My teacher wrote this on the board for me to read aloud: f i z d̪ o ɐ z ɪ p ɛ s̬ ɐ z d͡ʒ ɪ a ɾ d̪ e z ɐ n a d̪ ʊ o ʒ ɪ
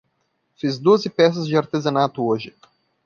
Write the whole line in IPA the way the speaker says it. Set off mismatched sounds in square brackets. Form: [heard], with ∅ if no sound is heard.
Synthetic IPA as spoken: f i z d̪ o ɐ z ɪ p ɛ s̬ ɐ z d͡ʒ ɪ a ɾ [t̪] e z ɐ n a [t̪] ʊ o ʒ ɪ